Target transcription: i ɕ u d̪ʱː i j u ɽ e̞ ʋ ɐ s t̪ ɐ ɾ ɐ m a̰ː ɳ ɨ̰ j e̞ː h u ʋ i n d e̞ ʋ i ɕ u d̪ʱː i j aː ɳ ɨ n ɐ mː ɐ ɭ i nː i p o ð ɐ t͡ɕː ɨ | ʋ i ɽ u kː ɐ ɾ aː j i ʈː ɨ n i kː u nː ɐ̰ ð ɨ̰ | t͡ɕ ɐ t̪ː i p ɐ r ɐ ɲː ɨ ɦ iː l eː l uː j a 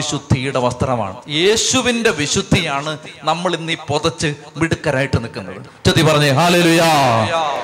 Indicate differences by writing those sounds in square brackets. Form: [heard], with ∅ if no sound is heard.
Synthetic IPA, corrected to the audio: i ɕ u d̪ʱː i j u ɽ e̞ ʋ ɐ s t̪ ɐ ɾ ɐ m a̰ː ɳ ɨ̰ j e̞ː [ɕ] u ʋ i n d e̞ ʋ i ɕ u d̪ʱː i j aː ɳ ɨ n ɐ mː ɐ ɭ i nː i p o ð ɐ t͡ɕː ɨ | ʋ i ɽ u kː ɐ ɾ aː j i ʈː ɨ n i kː u nː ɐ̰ ð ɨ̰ | t͡ɕ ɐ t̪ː i p ɐ r ɐ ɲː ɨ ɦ [aː] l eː l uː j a